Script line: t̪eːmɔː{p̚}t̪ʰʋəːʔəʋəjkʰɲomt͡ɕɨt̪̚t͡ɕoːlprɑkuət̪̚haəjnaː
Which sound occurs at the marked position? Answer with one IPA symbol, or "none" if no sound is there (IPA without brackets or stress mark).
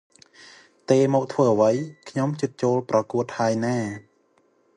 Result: k̚